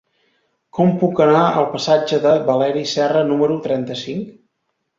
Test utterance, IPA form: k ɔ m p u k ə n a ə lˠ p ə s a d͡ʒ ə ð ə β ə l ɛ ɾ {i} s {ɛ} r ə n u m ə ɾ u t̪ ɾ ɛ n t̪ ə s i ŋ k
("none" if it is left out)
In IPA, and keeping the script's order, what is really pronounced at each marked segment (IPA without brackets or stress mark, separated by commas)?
i, ɛ